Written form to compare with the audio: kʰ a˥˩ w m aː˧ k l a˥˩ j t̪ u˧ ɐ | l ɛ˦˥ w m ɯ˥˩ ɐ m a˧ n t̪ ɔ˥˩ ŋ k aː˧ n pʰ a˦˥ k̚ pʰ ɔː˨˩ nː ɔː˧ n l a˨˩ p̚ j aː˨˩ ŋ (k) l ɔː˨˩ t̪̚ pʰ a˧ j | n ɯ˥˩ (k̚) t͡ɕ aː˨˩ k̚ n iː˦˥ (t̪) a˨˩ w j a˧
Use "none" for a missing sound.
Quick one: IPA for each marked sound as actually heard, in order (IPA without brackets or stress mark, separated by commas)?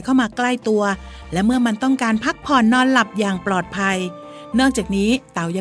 p, k̚, t̪